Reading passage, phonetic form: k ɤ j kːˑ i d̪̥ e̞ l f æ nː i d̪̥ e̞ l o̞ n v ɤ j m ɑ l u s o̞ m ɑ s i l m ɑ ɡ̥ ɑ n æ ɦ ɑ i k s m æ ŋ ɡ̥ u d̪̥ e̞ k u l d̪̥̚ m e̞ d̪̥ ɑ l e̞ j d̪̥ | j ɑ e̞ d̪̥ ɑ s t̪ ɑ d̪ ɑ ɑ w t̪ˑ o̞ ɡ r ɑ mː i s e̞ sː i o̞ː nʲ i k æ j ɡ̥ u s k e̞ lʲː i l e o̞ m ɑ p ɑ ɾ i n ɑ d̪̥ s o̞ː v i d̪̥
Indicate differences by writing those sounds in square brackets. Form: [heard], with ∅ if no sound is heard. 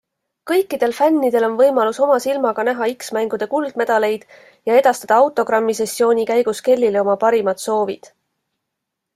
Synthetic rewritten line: k ɤ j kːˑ i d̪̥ e̞ l f æ nː i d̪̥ e̞ l o̞ n v ɤ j m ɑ l u s o̞ m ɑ s i l m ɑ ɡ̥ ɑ n æ ɦ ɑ i k s m æ ŋ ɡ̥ u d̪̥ e̞ k u l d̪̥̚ m e̞ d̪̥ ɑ l e̞ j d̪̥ | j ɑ e̞ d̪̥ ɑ s t̪ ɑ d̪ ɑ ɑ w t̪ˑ o̞ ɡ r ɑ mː i s e̞ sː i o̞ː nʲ i k æ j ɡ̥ u s k e̞ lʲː i l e o̞ m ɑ p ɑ ɾ i [m] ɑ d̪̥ s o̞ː v i d̪̥